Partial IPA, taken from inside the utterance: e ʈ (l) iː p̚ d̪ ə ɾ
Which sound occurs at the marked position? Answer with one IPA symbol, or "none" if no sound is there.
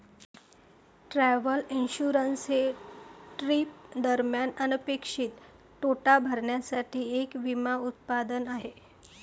ɾ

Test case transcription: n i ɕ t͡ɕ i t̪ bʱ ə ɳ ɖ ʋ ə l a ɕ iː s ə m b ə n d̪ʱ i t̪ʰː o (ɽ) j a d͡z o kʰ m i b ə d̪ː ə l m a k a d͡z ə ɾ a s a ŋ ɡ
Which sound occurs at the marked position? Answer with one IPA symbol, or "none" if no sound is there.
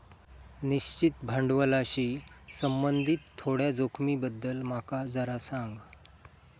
ɽ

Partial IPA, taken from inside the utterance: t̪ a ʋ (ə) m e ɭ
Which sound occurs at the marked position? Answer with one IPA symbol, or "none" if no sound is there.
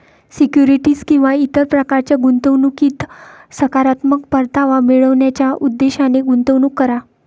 a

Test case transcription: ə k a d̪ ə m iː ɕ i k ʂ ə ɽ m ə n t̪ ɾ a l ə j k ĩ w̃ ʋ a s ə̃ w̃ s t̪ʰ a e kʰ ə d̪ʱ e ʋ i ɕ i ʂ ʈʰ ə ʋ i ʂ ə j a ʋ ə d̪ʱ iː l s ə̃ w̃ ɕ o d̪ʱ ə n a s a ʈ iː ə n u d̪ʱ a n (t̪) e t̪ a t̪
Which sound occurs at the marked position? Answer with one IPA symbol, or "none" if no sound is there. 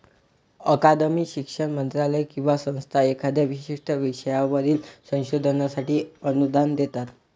d̪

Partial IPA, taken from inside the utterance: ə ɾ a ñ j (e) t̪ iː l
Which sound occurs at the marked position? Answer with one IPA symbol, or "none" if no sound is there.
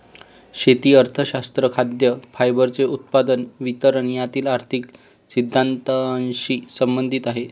a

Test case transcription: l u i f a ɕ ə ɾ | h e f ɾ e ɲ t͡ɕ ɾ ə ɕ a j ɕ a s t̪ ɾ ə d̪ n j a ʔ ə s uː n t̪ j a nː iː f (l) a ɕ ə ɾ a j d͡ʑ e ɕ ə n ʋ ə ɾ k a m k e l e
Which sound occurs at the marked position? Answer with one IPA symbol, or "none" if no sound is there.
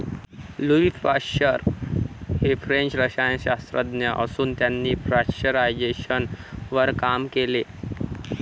ɾ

